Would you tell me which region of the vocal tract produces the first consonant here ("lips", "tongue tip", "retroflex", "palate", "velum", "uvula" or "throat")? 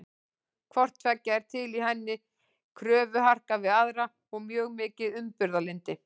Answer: velum